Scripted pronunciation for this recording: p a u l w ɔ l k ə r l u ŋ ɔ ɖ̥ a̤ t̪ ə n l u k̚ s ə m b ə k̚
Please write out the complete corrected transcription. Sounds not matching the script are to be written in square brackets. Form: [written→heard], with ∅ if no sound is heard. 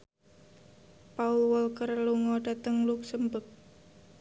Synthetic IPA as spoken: p a u l w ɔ l k ə r l u ŋ ɔ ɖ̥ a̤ t̪ ə [n→ŋ] l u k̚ s ə m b ə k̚